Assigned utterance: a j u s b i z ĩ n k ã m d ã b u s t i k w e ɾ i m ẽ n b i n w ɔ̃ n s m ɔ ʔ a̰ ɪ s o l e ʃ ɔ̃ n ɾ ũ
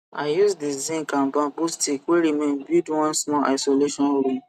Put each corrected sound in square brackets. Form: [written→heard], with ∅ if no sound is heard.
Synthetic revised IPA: a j u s [b→d] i z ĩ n k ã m [d→b] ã b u s t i k w e ɾ i m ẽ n b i [n→d] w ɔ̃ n s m ɔ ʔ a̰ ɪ s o l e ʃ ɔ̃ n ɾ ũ